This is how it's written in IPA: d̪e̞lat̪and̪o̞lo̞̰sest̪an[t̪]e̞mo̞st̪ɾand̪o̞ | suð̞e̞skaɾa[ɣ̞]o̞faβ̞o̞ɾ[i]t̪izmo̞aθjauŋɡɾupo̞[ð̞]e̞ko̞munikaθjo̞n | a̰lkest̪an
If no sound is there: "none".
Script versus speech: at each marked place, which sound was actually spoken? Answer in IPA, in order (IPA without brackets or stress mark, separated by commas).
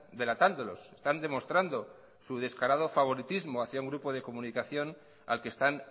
d̪, ð̞, i, ð̞